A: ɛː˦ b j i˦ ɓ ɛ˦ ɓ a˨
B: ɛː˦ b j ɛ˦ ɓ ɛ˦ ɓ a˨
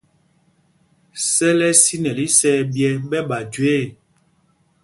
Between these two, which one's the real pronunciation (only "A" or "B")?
B